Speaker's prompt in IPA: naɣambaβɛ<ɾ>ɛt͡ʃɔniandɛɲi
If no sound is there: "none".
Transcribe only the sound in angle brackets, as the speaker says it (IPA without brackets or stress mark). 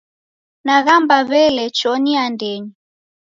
l